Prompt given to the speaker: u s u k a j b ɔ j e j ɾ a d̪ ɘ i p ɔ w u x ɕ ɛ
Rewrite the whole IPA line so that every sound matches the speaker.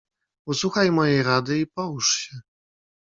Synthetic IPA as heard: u s u x a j m ɔ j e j ɾ a d̪ ɘ i p ɔ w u ʂ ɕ ɛ

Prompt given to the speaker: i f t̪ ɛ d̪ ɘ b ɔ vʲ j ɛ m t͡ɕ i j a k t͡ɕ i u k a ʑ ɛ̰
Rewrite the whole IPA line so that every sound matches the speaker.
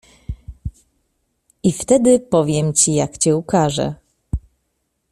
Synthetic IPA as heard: i f t̪ ɛ d̪ ɘ p ɔ vʲ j ɛ m t͡ɕ i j a k t͡ɕ ɛ u k a ʐ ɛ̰

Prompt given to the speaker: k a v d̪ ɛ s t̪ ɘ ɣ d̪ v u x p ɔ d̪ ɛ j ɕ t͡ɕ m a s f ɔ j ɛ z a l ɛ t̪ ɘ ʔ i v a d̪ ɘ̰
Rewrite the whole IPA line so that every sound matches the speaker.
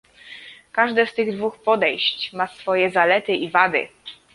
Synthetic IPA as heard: k a ʐ d̪ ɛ s t̪ ɘ ɣ d̪ v u x p ɔ d̪ ɛ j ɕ t͡ɕ m a s f ɔ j ɛ z a l ɛ t̪ ɘ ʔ i v a d̪ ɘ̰

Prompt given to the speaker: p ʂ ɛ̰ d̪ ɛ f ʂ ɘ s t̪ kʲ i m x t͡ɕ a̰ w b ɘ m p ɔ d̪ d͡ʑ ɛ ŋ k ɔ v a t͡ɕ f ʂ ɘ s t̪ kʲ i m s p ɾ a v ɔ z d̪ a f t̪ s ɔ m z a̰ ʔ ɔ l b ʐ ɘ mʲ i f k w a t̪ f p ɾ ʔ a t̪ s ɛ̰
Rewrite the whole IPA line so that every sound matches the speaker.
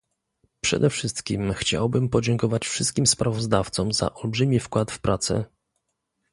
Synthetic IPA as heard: p ʂ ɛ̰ d̪ ɛ f ʂ ɘ s t̪ kʲ i m x t͡ɕ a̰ w b ɘ m p ɔ d͡ʑ ɛ ŋ k ɔ v a t͡ɕ f ʂ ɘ s t̪ kʲ i m s p ɾ a v ɔ z d̪ a f t̪ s ɔ m z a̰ ʔ ɔ l b ʐ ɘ mʲ i f k w a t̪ f p ɾ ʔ a t̪ s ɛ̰

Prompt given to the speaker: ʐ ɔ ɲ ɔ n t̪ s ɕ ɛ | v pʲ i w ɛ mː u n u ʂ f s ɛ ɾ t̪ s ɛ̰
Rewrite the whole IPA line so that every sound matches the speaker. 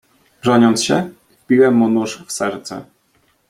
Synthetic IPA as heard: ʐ ɔ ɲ ɔ n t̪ s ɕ ɛ | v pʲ i w ɛ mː u n u ʂ f s ɛ ɾ t̪ s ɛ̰

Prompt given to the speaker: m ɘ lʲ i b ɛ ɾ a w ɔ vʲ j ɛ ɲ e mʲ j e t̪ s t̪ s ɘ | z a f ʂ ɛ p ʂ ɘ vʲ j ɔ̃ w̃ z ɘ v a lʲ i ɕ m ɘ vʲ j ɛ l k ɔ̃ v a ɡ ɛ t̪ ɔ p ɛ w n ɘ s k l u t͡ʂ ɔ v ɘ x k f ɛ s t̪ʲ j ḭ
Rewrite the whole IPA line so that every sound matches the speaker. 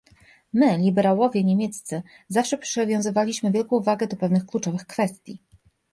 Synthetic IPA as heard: m ɘ lʲ i b ɛ ɾ a w ɔ vʲ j ɛ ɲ e mʲ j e t̪ s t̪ s ɘ | z a f ʂ ɛ p ʂ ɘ vʲ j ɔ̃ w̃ z ɘ v a lʲ i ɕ m ɘ vʲ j ɛ l k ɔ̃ v a ɡ ɛ d̪ ɔ p ɛ v n ɘ x k l u t͡ʂ ɔ v ɘ x k f ɛ s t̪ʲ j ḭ

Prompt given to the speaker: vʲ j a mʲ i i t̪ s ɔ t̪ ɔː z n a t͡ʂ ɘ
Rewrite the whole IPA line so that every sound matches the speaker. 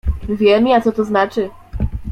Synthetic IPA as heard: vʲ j ɛ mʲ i a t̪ s ɔ t̪ ɔ z n a t͡ʂ ɘ

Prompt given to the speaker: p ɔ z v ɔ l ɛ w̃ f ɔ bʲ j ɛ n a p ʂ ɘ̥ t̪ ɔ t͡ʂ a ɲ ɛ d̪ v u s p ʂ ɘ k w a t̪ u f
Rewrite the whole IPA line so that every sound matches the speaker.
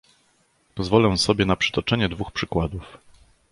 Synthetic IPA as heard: p ɔ z v ɔ l ɛ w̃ s ɔ bʲ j ɛ n a p ʂ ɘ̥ t̪ ɔ t͡ʂ ɛ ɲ ɛ d̪ v u x p ʂ ɘ k w a d̪ u f

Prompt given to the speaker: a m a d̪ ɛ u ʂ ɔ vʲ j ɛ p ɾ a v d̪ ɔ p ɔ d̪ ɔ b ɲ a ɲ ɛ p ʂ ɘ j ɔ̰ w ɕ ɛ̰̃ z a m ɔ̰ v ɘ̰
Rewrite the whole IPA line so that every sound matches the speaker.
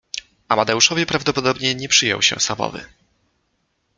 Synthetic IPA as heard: a m a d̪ ɛ u ʂ ɔ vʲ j ɛ p ɾ a v d̪ ɔ p ɔ d̪ ɔ b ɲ ɛ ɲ ɛ p ʂ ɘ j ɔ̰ w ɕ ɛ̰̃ s a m ɔ̰ v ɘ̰

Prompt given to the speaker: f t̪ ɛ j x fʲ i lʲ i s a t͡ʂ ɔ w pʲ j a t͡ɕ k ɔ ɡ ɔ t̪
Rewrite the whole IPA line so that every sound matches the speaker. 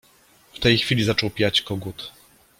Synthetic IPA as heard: f t̪ ɛ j x fʲ i lʲ i z a t͡ʂ ɔ w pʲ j a t͡ɕ k ɔ ɡ u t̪

